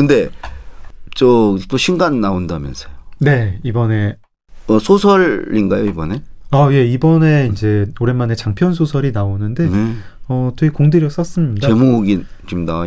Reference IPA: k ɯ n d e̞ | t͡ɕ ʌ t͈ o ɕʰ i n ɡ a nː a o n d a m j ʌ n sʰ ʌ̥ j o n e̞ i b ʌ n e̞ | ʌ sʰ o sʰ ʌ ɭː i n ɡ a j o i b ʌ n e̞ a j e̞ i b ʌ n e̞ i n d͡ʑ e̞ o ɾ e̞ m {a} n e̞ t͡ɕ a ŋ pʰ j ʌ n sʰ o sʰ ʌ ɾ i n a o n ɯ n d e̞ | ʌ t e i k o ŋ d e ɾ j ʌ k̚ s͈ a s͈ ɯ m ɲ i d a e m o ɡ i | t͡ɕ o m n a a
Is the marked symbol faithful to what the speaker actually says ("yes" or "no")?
yes